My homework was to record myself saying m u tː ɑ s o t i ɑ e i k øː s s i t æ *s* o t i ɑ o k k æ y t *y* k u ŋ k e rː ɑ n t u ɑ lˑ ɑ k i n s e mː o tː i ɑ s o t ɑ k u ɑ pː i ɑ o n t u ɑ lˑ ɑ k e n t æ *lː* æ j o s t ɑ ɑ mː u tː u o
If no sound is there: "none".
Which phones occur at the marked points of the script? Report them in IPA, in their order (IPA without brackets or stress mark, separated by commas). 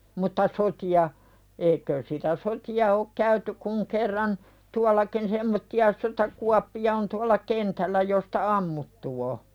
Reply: s, y, lː